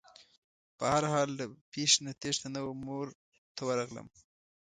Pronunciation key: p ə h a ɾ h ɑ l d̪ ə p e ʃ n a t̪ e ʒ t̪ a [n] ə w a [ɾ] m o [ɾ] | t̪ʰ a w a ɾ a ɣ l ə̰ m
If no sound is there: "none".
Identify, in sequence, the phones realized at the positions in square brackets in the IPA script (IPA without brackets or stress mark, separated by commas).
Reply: n, none, ɾ